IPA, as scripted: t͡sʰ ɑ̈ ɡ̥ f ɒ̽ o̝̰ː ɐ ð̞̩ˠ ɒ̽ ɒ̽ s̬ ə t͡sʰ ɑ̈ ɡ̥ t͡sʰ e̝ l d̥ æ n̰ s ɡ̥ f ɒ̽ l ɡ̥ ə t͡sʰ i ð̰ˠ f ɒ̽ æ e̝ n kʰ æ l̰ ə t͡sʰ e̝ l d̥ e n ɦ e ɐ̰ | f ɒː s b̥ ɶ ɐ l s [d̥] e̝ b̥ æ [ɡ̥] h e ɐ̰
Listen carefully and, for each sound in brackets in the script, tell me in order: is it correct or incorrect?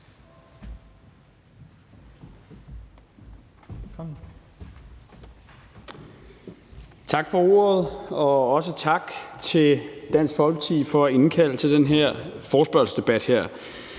correct, incorrect: d̥

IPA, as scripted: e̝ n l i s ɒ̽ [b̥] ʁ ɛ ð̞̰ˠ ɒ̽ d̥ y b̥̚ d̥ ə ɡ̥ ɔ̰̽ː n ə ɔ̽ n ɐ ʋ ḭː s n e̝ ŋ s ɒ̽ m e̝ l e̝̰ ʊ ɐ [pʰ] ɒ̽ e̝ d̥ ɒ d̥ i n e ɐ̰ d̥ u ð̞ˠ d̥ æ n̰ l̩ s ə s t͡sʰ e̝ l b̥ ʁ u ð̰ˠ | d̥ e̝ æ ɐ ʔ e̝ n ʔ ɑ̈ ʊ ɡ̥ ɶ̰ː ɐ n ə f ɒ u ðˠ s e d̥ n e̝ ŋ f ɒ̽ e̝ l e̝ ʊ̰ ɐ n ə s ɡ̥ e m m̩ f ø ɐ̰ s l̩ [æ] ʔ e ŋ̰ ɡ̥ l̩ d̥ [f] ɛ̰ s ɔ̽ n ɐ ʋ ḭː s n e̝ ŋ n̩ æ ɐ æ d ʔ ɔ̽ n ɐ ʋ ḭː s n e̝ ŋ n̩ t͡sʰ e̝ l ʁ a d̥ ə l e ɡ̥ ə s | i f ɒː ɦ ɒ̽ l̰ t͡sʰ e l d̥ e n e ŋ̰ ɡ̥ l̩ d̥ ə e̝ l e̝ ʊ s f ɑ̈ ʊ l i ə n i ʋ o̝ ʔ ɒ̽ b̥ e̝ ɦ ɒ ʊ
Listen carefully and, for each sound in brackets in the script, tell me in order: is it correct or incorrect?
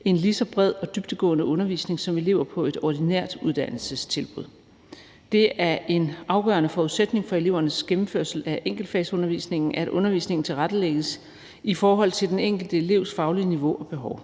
correct, correct, correct, correct

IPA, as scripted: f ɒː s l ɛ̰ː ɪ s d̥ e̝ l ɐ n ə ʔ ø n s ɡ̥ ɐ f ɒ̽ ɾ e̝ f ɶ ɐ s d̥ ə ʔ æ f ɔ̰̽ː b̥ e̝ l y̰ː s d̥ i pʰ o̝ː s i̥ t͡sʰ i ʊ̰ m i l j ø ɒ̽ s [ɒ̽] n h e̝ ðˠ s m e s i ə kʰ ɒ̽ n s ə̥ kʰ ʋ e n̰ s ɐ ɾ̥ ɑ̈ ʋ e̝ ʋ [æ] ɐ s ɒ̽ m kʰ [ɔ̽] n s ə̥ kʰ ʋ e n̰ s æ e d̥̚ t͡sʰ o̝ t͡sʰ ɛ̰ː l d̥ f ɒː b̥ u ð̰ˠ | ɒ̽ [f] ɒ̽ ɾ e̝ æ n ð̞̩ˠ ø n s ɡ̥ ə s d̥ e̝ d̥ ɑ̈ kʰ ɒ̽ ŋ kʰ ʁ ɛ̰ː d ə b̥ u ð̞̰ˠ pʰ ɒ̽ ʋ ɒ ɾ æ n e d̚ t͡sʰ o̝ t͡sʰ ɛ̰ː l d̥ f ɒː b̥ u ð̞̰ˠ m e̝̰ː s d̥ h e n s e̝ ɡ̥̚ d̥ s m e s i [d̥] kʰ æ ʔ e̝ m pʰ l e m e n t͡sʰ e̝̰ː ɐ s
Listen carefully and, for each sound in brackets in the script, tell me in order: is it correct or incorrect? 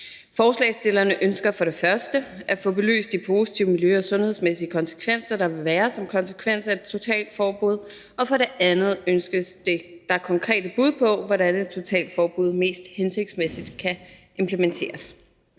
incorrect: ɔ̽, incorrect: æː, incorrect: ɒ̽, correct, correct

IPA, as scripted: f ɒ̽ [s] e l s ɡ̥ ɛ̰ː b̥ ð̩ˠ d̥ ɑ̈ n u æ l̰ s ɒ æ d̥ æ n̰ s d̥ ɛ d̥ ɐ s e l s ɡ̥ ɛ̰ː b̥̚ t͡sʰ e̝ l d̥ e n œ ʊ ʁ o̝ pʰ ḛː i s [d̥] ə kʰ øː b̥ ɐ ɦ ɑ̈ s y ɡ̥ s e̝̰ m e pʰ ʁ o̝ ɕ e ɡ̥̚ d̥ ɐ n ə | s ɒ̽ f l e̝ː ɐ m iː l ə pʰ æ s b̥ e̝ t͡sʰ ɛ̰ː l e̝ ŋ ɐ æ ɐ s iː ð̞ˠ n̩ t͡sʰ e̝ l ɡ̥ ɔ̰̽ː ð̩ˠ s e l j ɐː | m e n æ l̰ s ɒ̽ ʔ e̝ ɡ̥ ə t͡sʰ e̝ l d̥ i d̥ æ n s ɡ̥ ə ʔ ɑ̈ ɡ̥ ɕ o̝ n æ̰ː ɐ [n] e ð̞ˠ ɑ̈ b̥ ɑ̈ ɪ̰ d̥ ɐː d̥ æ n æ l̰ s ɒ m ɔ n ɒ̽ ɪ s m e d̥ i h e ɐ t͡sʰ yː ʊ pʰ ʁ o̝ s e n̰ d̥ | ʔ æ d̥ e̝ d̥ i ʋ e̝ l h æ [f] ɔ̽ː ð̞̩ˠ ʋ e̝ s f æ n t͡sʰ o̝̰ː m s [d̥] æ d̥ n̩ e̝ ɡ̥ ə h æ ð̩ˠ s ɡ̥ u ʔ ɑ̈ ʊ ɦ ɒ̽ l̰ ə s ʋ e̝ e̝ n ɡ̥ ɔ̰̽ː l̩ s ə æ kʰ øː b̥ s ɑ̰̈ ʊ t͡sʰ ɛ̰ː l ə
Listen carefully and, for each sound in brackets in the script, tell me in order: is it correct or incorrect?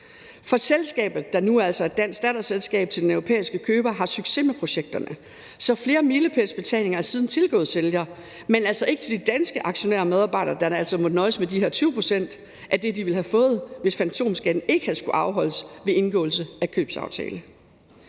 correct, incorrect: ɡ̥, incorrect: m, correct, incorrect: ɡ̥

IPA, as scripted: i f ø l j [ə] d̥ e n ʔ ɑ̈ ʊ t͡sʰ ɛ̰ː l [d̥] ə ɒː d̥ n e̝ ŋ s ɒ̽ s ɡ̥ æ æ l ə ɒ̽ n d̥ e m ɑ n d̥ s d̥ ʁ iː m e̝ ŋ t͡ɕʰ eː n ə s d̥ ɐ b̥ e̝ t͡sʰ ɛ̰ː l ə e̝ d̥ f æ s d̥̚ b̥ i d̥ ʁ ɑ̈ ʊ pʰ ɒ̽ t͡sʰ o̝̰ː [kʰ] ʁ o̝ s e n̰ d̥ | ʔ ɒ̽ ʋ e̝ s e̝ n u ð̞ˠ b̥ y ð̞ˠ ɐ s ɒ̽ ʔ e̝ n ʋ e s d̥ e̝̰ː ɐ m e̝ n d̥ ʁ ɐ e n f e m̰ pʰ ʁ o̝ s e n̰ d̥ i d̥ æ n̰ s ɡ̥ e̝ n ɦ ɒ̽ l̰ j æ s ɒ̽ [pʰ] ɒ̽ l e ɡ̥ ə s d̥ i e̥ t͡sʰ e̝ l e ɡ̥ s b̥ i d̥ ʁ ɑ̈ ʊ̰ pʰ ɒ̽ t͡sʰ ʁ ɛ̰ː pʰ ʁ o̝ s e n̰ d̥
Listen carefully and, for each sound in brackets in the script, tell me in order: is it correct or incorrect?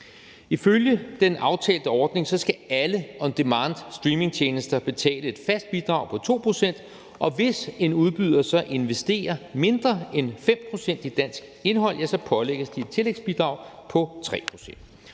correct, correct, incorrect: pʰ, correct

